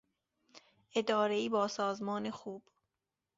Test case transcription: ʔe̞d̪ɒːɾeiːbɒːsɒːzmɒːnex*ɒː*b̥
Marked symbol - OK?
no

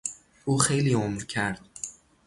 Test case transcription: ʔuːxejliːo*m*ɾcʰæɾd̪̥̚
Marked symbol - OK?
yes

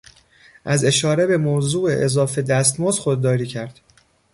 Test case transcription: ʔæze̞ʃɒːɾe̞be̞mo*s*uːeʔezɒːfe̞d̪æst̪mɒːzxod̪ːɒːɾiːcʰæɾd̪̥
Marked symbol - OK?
no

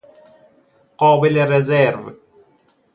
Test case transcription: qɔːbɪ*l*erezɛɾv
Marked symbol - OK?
yes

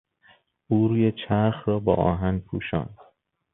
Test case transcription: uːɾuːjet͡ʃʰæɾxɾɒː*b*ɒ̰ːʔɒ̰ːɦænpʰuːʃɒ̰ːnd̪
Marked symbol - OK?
yes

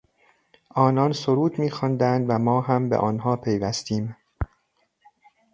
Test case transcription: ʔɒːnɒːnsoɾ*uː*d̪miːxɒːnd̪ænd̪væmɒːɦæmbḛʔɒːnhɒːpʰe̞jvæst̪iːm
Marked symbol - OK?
yes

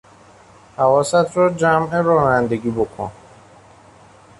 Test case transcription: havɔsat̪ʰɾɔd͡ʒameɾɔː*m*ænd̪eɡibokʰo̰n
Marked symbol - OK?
no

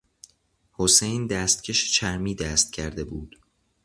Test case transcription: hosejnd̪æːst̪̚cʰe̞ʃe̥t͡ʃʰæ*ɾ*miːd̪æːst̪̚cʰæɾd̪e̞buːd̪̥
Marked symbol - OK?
yes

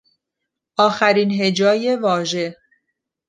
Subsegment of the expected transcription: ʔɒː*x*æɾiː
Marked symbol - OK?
yes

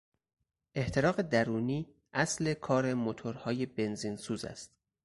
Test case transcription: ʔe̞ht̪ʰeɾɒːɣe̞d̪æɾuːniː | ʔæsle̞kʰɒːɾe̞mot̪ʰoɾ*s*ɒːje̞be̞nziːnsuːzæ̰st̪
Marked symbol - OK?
no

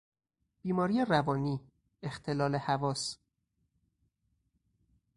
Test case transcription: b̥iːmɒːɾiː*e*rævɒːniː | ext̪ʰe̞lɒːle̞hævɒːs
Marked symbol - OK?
yes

